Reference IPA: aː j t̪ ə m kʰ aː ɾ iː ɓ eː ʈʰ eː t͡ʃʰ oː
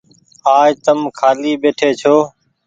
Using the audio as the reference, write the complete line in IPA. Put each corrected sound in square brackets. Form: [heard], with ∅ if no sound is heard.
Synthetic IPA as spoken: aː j t̪ ə m kʰ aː [l] iː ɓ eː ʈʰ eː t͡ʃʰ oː